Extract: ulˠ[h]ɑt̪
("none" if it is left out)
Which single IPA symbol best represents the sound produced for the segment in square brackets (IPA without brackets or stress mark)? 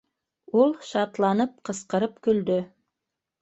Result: ʃ